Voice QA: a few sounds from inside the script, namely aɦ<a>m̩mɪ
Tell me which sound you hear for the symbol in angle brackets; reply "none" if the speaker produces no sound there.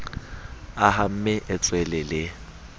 a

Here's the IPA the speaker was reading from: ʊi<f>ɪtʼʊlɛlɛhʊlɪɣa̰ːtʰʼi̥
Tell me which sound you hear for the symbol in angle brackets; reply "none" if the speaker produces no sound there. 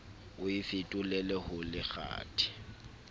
f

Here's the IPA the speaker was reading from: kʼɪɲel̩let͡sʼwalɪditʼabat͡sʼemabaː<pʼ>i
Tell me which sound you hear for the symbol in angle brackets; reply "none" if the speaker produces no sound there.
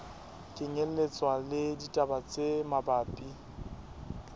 pʼ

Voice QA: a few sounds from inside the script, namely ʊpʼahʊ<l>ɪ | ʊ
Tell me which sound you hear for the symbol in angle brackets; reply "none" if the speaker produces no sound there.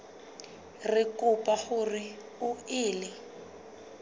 r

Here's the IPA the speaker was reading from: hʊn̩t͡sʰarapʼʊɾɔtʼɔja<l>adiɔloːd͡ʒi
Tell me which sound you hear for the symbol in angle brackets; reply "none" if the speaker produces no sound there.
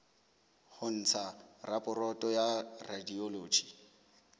r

